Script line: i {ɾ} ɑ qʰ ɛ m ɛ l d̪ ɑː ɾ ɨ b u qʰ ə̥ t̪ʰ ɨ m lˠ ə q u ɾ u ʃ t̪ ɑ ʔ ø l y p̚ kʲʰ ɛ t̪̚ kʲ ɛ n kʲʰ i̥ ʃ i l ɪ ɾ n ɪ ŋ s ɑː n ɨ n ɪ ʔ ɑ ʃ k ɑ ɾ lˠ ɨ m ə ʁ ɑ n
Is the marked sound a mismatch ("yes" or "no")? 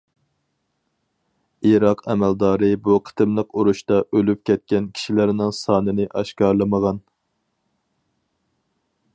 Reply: no